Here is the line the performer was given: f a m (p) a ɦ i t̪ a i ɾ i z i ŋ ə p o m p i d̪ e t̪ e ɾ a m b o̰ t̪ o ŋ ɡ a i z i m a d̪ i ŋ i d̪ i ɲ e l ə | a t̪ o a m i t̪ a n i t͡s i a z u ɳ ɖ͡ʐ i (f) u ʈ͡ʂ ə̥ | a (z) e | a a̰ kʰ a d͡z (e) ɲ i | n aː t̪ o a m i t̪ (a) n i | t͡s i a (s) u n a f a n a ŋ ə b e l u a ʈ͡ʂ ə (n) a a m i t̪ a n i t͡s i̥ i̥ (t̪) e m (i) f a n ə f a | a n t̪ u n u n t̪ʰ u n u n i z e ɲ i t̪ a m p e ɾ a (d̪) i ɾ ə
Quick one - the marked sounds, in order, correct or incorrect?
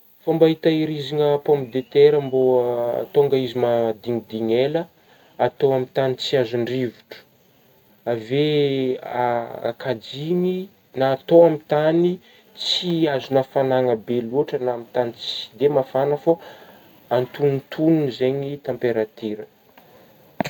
incorrect: b, incorrect: v, incorrect: v, incorrect: i, correct, incorrect: z, correct, incorrect: d̪, incorrect: a, incorrect: t̪

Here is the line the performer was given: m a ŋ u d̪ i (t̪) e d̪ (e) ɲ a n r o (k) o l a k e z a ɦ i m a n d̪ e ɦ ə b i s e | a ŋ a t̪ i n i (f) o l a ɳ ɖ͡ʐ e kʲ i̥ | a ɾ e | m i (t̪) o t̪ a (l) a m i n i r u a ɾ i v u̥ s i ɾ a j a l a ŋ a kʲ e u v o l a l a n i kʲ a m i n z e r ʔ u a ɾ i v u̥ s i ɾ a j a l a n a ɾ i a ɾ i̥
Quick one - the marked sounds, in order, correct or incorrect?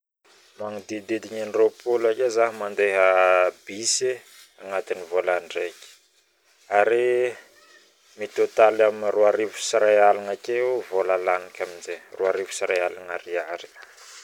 incorrect: d̪, incorrect: i, incorrect: p, incorrect: v, correct, correct

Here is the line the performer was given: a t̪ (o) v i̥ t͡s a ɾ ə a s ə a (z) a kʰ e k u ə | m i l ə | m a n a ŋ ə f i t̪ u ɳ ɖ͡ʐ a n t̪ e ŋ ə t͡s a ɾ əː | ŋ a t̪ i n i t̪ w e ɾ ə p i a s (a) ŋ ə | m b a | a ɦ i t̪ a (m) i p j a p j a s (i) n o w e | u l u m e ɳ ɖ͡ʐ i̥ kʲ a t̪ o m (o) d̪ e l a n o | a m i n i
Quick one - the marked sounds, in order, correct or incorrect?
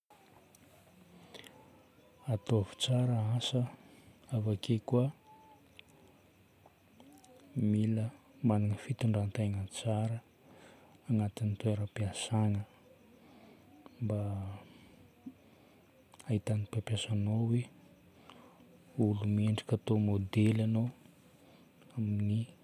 correct, incorrect: v, correct, incorrect: n, incorrect: a, correct

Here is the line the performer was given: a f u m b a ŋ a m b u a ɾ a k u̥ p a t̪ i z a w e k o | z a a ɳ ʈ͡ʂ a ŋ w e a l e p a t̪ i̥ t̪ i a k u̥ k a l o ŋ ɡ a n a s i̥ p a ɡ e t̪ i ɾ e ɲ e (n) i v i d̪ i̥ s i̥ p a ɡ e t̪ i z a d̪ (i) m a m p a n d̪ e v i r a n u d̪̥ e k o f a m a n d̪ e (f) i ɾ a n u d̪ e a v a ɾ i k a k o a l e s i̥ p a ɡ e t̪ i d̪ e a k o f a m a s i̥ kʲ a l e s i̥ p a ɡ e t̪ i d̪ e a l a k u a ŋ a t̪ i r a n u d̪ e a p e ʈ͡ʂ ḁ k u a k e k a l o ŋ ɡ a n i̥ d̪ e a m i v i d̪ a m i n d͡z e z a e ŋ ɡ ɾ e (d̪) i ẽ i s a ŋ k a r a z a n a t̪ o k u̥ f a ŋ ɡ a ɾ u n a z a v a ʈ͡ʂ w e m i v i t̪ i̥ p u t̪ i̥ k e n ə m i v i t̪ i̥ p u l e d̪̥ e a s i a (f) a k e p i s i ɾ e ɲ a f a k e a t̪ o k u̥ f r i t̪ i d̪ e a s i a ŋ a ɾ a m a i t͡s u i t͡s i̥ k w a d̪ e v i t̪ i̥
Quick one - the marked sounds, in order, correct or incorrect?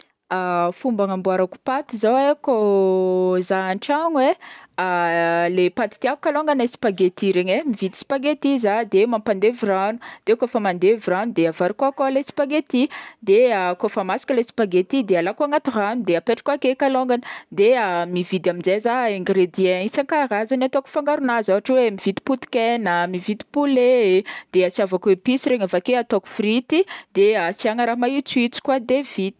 incorrect: m, incorrect: e, incorrect: v, correct, incorrect: v

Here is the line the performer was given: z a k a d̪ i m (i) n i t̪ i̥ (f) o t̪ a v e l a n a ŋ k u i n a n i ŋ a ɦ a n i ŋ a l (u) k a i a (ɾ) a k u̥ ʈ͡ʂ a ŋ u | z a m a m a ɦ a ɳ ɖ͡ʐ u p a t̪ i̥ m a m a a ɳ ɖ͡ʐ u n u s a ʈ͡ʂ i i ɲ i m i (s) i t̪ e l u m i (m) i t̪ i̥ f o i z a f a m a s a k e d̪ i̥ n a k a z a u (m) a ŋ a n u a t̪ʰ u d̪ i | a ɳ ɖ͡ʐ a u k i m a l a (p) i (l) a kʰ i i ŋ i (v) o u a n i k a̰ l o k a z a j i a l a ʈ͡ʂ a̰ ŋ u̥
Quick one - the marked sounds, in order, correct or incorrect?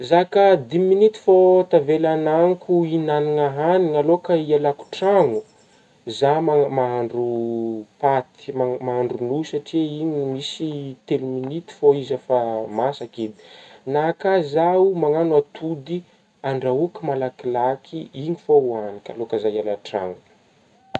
correct, correct, incorrect: o, incorrect: l, correct, incorrect: n, correct, incorrect: k, correct, incorrect: f

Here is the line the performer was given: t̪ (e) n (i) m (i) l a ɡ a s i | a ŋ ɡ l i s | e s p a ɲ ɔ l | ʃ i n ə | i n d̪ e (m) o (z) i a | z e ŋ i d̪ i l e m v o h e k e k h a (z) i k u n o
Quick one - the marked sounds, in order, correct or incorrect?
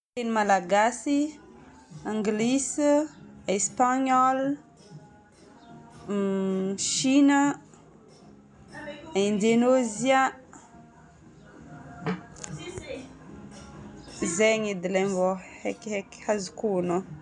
correct, correct, incorrect: a, incorrect: n, correct, correct

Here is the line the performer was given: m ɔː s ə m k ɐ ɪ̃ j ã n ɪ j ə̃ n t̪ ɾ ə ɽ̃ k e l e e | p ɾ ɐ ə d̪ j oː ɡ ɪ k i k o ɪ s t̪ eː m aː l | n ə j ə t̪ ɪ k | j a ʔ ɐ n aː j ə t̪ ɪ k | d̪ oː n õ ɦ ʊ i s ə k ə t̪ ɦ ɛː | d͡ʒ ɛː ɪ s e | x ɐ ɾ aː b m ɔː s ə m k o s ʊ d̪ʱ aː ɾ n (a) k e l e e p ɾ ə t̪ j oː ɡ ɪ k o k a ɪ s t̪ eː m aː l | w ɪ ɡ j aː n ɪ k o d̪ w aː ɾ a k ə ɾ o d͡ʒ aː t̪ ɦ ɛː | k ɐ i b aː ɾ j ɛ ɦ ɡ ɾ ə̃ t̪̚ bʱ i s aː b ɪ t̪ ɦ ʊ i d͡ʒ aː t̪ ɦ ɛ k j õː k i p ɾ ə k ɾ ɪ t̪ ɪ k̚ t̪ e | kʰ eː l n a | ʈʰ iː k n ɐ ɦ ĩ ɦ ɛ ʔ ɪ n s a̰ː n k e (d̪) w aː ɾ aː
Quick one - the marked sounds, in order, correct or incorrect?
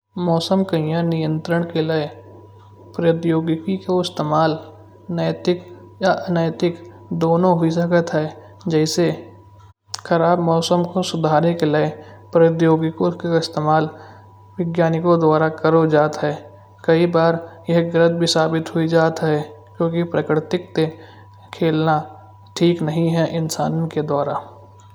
incorrect: e, correct

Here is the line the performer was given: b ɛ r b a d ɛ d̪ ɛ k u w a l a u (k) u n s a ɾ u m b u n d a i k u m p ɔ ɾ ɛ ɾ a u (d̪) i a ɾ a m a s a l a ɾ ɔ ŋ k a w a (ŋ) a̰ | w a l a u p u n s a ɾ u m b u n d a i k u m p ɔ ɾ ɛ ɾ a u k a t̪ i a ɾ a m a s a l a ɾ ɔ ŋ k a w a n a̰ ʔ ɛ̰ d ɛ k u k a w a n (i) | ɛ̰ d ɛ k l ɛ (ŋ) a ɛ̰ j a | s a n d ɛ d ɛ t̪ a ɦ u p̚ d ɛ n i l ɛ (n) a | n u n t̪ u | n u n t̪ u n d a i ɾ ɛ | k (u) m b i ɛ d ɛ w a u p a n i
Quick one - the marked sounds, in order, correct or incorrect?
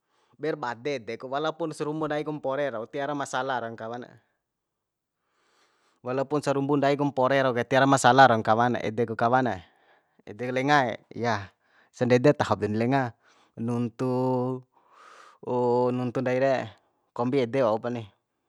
incorrect: p, incorrect: t̪, incorrect: n, incorrect: a, correct, incorrect: ŋ, incorrect: ɔ

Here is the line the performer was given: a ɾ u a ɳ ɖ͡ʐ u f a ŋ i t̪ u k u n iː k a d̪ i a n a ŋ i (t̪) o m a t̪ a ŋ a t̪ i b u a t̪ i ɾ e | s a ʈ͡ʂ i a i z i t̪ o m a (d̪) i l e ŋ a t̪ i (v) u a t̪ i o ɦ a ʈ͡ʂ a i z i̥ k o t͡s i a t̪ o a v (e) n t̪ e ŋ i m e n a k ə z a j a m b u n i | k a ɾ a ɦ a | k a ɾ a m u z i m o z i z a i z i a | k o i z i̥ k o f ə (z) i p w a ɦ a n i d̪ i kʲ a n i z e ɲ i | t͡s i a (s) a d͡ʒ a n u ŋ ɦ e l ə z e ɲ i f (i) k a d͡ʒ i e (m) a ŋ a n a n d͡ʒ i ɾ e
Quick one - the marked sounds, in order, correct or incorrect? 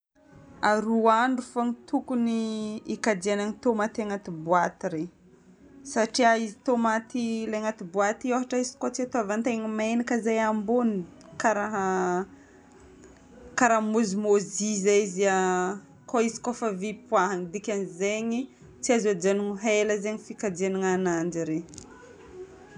correct, incorrect: t̪, incorrect: b, incorrect: a, incorrect: v, incorrect: z, correct, incorrect: n

